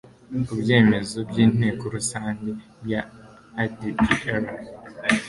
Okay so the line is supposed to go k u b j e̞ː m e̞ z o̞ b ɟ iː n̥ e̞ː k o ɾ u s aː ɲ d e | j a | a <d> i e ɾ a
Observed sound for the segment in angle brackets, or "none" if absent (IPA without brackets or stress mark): d